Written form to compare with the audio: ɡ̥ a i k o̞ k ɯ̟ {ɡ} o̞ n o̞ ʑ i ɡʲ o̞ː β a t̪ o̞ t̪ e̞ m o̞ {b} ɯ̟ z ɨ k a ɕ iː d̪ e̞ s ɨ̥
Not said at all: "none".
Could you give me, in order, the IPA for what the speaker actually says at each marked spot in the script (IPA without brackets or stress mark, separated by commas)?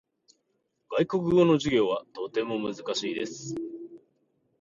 ɡ, m